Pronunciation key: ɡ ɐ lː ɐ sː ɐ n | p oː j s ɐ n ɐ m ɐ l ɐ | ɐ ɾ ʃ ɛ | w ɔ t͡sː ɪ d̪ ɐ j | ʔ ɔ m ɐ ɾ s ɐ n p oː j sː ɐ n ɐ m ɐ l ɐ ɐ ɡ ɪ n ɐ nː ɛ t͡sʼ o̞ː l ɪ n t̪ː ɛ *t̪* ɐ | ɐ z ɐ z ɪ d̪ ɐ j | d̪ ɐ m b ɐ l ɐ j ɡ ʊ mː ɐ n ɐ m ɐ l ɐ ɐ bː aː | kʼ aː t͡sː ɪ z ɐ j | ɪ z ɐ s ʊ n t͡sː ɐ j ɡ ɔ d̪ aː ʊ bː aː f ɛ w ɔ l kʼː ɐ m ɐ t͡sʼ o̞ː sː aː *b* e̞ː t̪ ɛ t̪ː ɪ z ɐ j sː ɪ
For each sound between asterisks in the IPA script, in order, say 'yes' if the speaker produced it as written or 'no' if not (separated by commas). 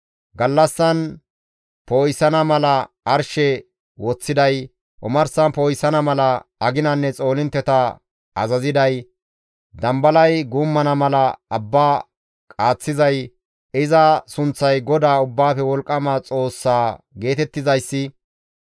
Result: yes, no